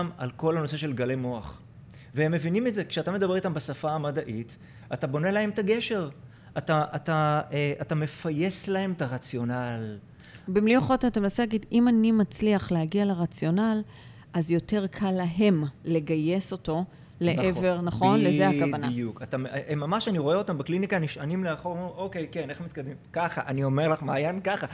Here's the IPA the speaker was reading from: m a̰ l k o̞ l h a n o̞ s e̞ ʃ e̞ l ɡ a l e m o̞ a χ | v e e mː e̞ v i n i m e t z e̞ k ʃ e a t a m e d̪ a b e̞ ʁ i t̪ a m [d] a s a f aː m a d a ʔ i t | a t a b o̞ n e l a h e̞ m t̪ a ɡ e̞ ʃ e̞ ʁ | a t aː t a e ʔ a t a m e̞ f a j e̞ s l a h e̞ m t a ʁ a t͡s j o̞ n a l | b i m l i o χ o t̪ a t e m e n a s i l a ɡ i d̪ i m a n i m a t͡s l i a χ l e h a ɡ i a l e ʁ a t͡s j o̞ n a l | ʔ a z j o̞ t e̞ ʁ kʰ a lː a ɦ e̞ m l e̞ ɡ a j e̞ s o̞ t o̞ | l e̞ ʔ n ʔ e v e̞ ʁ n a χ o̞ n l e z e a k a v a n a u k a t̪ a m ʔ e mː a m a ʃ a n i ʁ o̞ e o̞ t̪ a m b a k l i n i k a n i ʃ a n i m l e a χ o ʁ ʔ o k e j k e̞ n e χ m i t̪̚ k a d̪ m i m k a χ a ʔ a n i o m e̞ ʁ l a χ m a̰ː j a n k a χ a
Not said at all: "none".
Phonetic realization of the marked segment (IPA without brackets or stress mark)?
b